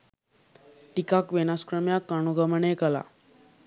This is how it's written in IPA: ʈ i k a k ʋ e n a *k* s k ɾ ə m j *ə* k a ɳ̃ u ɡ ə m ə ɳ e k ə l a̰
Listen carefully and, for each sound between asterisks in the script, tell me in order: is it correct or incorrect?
incorrect, incorrect

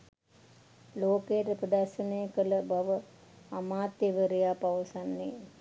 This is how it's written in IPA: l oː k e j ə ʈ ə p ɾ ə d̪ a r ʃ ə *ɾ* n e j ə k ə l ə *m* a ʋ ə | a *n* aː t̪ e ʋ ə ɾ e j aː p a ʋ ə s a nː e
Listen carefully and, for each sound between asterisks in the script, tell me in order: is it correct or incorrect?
incorrect, incorrect, incorrect

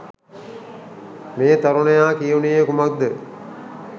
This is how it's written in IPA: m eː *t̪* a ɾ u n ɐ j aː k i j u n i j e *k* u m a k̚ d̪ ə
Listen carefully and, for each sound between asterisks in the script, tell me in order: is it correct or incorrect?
correct, correct

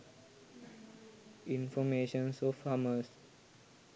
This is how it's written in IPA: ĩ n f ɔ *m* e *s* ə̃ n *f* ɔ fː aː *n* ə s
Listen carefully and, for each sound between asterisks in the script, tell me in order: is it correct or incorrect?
correct, incorrect, incorrect, incorrect

